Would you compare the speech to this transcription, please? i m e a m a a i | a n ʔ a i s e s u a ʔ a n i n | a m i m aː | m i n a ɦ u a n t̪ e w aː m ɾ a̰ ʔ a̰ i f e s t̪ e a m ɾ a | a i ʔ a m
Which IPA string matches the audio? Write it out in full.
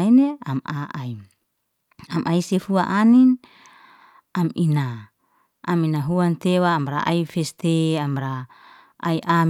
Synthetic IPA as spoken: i n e a m a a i | a m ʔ a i s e f u a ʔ a n i n | a m i n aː | m i n a ɦ u a n t̪ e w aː m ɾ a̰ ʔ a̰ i f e s t̪ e a m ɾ a | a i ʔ a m